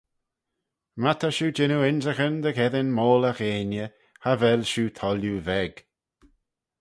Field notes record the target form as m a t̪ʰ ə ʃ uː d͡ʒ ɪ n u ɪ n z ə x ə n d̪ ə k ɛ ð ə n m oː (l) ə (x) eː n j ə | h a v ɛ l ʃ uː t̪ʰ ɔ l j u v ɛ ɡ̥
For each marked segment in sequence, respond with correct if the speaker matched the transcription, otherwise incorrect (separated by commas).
correct, correct